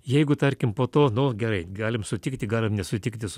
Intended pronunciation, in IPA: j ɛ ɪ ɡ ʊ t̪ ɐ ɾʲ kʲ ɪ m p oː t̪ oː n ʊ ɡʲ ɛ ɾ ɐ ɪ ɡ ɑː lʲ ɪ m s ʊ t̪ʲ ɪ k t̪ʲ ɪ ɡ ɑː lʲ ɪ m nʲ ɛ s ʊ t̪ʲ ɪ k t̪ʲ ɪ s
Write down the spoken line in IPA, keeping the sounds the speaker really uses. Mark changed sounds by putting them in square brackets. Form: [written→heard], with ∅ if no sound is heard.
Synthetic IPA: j ɛ ɪ ɡ ʊ t̪ ɐ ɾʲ kʲ ɪ m p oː t̪ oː n ʊ ɡʲ ɛ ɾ ɐ ɪ ɡ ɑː lʲ ɪ m s ʊ t̪ʲ ɪ k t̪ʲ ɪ ɡ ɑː lʲ ɪ m nʲ ɛ s ʊ t̪ʲ ɪ k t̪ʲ ɪ s